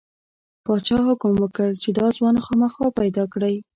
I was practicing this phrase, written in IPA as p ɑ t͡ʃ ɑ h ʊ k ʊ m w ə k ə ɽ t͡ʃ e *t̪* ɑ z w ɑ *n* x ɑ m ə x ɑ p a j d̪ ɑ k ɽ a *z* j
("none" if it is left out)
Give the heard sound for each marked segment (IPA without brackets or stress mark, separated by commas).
d̪, n, none